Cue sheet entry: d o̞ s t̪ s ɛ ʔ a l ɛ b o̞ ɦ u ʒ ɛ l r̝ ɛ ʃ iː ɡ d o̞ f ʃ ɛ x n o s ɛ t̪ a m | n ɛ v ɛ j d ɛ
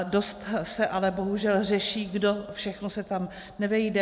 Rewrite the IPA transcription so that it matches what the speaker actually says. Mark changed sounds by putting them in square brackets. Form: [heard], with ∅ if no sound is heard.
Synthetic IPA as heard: d o̞ s t̪ s ɛ ʔ a l ɛ b o̞ ɦ u ʒ ɛ l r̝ ɛ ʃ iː ɡ d o̞ f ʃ ɛ x n o s ɛ t̪ a m | n ɛ v ɛ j d ɛ

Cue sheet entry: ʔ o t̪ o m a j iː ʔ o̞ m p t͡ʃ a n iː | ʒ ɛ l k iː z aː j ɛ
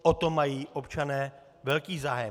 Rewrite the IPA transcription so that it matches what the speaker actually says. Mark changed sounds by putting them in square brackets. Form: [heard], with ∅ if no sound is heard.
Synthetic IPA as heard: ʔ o t̪ o m a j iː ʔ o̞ [∅] p t͡ʃ a n [ɛː] | [v] ɛ l k iː z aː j ɛ

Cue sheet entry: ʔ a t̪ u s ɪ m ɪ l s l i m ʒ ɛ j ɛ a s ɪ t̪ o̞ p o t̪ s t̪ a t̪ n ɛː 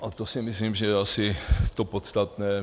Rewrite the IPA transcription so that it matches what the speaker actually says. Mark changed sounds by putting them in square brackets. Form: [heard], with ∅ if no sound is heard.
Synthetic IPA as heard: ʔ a t̪ [o] s ɪ m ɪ [∅] s l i m ʒ ɛ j ɛ a s ɪ t̪ o̞ p o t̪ s t̪ a t̪ n ɛː

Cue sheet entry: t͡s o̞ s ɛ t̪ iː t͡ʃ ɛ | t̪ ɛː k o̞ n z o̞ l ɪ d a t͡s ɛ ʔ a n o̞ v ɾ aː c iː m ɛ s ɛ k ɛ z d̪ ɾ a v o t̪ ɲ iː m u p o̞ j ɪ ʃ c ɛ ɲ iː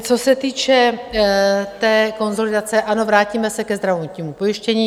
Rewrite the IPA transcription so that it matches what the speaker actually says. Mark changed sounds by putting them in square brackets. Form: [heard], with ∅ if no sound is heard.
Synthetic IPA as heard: t͡s o̞ s ɛ t̪ iː t͡ʃ ɛ | t̪ ɛː k o̞ n z o̞ l ɪ d a t͡s ɛ ʔ a n o̞ v ɾ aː c iː m ɛ s ɛ k ɛ z d̪ ɾ a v o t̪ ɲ iː m u p o̞ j ɪ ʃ c ɛ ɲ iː

